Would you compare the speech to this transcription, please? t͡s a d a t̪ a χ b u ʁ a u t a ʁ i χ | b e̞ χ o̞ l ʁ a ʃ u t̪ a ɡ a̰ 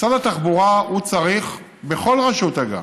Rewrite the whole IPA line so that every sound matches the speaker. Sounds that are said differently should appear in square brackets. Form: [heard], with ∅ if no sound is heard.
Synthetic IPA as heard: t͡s a d a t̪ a χ b u ʁ a u [t͡s] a ʁ i χ | b e̞ χ o̞ l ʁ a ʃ u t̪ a ɡ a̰